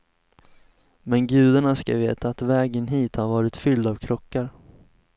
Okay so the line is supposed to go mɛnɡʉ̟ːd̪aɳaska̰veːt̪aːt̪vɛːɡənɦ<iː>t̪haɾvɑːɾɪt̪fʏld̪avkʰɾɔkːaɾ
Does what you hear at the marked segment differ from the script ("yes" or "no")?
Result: no